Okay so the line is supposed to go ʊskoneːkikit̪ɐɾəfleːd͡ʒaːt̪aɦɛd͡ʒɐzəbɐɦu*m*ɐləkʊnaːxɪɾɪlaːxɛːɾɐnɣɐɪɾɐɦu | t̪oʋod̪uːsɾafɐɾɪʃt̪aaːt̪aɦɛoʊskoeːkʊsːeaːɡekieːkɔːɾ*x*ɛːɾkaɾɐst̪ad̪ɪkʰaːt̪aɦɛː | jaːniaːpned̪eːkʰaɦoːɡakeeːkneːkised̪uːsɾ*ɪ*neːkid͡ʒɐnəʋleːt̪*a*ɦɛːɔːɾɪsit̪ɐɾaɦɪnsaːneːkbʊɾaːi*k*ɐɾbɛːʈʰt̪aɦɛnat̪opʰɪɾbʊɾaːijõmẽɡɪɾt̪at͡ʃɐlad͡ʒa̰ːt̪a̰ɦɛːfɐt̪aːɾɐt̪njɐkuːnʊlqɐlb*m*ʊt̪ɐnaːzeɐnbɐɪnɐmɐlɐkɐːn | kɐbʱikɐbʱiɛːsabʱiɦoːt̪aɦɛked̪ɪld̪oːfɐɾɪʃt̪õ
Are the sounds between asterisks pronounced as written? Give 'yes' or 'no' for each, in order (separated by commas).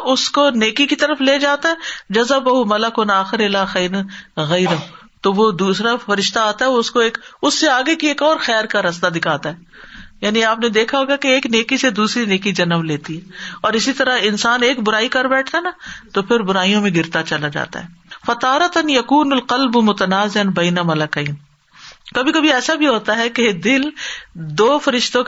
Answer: yes, yes, no, no, yes, yes